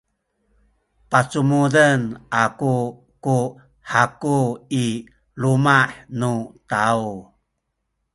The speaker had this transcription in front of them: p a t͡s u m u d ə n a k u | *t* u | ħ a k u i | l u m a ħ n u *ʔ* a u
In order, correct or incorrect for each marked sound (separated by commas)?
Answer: incorrect, incorrect